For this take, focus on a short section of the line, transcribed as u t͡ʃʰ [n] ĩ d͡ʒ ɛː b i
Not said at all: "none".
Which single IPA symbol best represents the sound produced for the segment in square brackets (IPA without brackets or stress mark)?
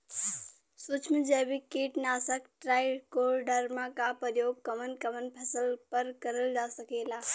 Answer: m